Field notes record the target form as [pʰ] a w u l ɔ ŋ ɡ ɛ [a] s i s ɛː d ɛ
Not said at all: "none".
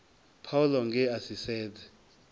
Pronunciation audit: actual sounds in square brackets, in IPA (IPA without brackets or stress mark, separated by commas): pʰ, a